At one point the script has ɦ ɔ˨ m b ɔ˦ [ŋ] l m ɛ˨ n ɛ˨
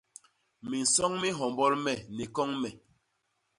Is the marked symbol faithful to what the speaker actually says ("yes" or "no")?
no